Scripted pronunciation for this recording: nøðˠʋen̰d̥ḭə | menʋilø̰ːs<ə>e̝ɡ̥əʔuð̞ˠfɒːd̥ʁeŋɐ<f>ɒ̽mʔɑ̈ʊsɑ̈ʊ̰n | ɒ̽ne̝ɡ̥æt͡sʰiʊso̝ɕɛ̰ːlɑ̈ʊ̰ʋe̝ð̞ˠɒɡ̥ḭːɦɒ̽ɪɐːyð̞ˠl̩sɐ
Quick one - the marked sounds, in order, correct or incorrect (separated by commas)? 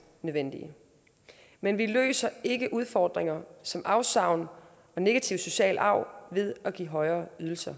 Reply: incorrect, incorrect